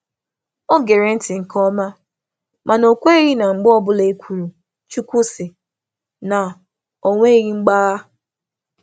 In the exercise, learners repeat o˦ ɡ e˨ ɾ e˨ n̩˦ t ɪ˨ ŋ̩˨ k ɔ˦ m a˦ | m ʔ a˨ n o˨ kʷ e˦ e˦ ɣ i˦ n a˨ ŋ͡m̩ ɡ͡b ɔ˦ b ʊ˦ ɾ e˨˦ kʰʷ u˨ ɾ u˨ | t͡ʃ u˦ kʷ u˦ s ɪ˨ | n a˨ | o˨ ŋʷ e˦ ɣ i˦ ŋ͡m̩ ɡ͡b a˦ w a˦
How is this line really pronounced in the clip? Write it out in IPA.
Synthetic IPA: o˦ ɡ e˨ ɾ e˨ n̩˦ t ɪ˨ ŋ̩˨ k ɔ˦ m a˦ | m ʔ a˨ n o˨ kʷ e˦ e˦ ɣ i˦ n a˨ ŋ͡m̩ ɡ͡b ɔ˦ b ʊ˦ l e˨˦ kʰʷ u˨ ɾ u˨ | t͡ʃ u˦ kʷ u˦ s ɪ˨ | n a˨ | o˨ ŋʷ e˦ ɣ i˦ ŋ͡m̩ ɡ͡b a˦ ɣ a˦